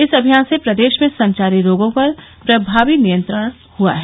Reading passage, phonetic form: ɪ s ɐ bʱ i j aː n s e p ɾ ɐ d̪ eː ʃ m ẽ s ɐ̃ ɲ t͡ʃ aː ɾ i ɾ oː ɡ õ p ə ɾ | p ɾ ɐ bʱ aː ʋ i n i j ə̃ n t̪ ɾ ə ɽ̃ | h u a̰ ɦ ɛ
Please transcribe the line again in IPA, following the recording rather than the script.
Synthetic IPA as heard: ɪ s ɐ bʱ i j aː n s e p ɾ ɐ d̪ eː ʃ m ẽ s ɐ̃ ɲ t͡ʃ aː ɾ i ɾ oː ɡ õ p ɐ ɾ | p ɾ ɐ bʱ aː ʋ i n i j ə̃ n t̪ ɾ ə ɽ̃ | h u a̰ ɦ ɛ